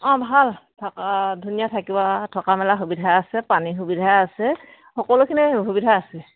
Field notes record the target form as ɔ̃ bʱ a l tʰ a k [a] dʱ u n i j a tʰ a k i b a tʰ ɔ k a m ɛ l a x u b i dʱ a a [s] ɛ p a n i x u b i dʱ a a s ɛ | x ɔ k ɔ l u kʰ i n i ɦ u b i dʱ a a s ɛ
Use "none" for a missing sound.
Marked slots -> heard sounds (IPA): a, s

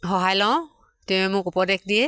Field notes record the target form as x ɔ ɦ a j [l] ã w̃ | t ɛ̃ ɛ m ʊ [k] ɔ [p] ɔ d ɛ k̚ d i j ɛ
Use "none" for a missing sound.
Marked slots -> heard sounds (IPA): l, k, p

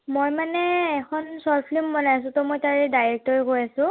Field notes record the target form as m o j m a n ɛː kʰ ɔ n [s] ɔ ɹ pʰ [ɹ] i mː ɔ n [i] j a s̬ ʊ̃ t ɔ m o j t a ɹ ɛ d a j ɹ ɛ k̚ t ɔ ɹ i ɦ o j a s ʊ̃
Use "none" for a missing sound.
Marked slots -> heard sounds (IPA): s, l, a

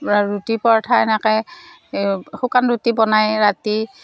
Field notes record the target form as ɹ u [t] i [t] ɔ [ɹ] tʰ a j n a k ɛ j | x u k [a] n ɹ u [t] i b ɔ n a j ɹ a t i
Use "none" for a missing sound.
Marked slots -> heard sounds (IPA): t, p, ɹ, a, t

